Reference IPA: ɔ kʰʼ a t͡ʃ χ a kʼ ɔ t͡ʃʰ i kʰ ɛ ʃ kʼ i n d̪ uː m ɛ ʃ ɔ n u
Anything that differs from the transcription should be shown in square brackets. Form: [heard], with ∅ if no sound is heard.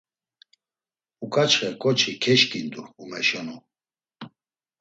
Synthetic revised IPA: [u] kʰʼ a t͡ʃ χ [ɛ] kʼ ɔ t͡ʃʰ i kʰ ɛ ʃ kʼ i n d̪ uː m ɛ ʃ ɔ n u